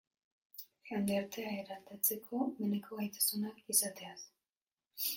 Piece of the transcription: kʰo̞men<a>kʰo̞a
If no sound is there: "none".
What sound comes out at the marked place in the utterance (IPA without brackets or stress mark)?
e